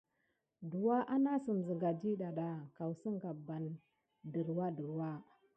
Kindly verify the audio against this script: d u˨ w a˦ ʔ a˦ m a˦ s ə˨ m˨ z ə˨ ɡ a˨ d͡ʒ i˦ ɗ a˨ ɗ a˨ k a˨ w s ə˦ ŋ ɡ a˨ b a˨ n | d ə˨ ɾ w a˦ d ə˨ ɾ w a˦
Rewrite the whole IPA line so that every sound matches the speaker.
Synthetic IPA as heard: d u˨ w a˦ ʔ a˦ n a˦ s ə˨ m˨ z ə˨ ɡ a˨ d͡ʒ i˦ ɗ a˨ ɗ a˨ k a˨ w s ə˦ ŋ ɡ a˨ b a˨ n | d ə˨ ɾ w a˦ d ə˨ ɾ w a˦